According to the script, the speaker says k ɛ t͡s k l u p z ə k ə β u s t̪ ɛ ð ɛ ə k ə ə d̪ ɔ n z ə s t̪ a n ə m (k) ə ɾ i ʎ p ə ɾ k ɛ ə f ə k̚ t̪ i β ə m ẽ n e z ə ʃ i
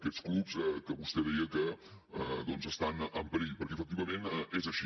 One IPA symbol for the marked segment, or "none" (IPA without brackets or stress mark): p